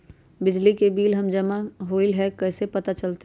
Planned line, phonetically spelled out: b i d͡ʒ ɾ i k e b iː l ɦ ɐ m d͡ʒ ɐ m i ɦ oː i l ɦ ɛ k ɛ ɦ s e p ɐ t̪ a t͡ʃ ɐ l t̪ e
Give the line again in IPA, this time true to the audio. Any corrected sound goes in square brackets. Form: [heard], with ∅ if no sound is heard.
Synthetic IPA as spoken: b [ɪ] d͡ʒ [l] i k e b iː l ɦ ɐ m d͡ʒ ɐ m [a] ɦ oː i l ɦ ɛ k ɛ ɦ s e p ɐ t̪ a t͡ʃ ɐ l t̪ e